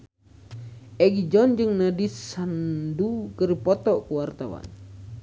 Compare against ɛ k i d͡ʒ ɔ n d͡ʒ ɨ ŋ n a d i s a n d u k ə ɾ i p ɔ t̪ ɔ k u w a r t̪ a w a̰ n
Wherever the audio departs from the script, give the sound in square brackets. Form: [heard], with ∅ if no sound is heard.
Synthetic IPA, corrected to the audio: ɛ [ɡ] i d͡ʒ ɔ n d͡ʒ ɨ ŋ n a d i s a n d u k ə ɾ i p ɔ t̪ ɔ k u w a r t̪ a w a̰ n